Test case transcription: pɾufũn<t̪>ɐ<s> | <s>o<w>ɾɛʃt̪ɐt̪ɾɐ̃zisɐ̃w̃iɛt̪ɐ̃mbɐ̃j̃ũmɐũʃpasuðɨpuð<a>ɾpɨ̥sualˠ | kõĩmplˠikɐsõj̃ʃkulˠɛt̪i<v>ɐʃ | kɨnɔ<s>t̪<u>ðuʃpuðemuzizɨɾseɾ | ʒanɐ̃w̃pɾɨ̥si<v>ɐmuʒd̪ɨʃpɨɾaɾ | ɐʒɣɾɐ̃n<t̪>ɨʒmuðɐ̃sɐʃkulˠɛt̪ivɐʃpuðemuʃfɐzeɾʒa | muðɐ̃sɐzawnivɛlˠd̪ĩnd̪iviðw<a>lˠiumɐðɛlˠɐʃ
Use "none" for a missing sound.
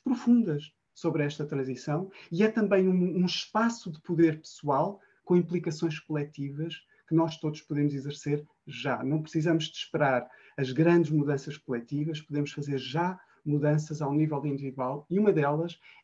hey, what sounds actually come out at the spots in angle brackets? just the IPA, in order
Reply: d̪, ʃ, s, β, e, v, ʃ, o, z, d̪, a

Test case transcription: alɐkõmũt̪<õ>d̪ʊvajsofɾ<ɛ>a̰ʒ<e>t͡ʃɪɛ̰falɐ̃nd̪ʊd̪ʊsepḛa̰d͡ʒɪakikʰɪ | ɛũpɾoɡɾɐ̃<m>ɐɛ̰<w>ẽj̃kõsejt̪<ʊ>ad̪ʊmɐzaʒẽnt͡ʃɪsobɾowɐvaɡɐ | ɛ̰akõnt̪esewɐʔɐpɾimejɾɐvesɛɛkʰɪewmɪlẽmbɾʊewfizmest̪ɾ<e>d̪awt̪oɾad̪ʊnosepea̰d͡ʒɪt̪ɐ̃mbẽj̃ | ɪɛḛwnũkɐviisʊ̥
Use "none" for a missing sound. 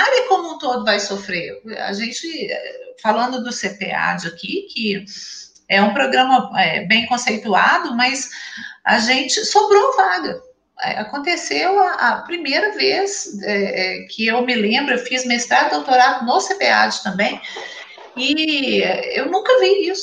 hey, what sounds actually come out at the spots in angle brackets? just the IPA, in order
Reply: o, e, ẽ, m, b, u, a

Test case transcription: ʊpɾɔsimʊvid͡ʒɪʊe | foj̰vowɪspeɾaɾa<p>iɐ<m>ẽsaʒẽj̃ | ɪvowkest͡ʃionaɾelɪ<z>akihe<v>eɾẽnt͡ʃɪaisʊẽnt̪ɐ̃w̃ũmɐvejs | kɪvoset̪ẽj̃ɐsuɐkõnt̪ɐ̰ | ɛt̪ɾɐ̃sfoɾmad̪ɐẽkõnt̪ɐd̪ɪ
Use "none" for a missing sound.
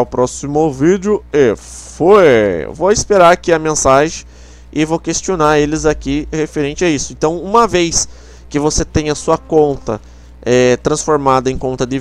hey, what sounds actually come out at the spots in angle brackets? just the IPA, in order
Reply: k, m, z, f

